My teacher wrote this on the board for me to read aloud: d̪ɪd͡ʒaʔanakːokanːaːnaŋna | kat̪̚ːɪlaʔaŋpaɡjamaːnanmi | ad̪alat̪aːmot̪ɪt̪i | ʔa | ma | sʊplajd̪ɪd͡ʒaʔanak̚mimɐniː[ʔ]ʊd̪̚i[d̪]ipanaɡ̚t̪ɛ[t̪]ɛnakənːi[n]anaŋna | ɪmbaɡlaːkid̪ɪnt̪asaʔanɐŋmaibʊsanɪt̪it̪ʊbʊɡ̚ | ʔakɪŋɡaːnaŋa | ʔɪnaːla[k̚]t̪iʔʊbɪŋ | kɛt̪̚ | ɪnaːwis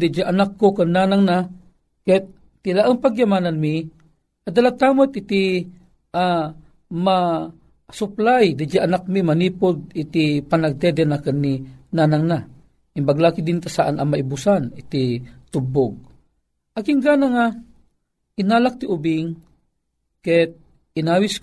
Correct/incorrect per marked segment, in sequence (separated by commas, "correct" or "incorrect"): incorrect, incorrect, incorrect, correct, correct